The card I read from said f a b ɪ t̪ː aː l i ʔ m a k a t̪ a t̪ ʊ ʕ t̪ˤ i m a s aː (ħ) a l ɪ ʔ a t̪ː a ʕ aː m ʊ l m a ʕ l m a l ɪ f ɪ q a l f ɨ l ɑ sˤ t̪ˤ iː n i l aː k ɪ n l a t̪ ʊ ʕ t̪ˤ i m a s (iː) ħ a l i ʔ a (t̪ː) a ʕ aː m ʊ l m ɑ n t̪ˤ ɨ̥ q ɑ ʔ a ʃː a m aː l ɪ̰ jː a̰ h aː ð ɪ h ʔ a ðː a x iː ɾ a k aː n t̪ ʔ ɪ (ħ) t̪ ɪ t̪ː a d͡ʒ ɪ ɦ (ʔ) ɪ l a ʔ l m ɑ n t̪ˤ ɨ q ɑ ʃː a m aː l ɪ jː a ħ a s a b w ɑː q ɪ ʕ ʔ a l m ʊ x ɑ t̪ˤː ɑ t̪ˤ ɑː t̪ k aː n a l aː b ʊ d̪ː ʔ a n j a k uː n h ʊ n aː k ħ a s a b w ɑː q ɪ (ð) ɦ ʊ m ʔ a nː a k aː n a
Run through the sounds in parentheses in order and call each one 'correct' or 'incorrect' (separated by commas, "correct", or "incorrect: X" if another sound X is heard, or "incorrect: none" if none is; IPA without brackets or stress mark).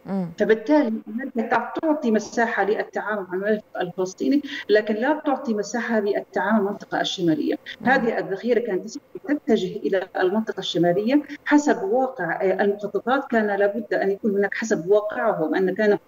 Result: correct, incorrect: aː, correct, incorrect: s, correct, incorrect: ʕ